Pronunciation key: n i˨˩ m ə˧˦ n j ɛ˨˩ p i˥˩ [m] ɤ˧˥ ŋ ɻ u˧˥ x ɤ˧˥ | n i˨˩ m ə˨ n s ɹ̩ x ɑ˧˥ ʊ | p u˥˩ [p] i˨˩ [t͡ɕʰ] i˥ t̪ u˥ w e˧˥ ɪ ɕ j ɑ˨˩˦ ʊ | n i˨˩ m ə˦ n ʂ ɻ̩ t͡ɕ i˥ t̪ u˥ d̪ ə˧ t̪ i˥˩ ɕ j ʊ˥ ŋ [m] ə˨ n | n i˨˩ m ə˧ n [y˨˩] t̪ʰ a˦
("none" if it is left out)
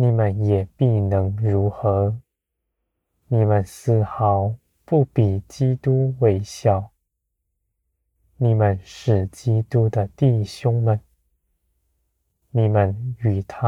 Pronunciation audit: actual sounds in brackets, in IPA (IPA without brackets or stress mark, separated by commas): n, p, t͡ɕ, m, y˨˩